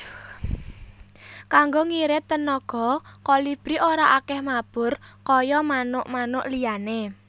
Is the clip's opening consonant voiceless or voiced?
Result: voiceless